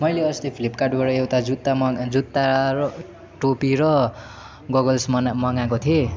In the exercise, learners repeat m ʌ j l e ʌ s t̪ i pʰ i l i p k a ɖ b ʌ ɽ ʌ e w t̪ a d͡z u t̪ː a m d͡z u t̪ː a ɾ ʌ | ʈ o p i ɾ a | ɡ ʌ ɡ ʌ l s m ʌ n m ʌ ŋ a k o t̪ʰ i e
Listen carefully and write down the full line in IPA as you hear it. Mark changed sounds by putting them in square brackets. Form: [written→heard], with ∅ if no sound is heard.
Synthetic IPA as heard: m ʌ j l e ʌ s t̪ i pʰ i l i p k a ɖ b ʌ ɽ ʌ e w t̪ a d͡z u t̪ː a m d͡z u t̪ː a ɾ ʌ | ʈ o p i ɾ [a→ʌ] | ɡ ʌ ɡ ʌ l s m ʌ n m ʌ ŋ a k o t̪ʰ i e